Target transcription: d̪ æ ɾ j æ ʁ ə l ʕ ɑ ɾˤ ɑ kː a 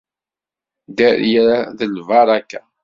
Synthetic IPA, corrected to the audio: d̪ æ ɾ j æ ð ə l v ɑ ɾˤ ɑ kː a